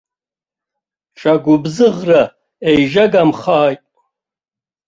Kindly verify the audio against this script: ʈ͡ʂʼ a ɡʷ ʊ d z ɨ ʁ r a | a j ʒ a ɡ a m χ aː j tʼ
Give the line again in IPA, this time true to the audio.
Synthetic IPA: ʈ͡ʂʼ a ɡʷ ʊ b z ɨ ʁ r a | e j ʒ a ɡ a m χ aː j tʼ